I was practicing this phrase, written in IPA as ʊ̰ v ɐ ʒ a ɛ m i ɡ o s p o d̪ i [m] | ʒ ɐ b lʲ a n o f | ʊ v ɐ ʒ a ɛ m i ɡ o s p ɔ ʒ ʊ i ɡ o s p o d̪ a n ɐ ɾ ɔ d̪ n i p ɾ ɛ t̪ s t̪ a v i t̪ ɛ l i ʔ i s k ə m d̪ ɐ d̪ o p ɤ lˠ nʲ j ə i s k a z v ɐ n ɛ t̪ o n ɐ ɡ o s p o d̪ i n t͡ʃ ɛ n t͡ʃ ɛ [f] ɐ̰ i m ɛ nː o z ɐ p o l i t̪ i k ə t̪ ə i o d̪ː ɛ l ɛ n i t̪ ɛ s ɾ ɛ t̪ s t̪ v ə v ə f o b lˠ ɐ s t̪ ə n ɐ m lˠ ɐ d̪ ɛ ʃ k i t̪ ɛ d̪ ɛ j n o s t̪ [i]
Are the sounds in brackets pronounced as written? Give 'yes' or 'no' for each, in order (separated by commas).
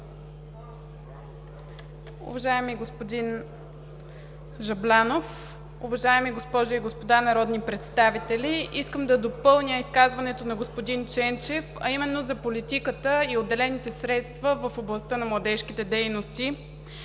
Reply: no, yes, yes